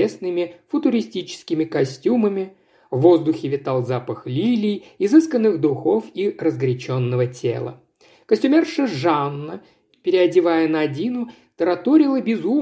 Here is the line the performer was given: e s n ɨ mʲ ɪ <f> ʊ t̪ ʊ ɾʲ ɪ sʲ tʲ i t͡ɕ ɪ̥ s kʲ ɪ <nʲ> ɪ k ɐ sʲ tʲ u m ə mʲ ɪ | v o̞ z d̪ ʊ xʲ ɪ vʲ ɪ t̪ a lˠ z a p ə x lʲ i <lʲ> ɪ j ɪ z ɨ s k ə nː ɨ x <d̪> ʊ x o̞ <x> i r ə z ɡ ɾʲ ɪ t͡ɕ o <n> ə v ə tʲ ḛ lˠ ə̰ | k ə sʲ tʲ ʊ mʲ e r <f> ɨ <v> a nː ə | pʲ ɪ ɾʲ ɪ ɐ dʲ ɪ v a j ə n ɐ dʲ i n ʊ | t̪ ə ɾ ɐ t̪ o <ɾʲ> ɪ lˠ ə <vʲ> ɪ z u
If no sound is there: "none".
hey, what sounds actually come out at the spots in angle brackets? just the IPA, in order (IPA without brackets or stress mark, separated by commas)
f, mʲ, lʲ, d̪, f, nː, ʂ, ʐ, ɾʲ, bʲ